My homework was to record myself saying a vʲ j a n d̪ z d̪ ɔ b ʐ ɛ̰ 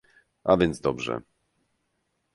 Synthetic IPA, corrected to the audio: a vʲ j ɛ n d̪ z d̪ ɔ b ʐ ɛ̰